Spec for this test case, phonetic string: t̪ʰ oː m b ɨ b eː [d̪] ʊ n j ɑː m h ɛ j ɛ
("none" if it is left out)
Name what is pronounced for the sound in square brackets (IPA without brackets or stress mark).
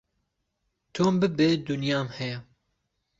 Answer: d̪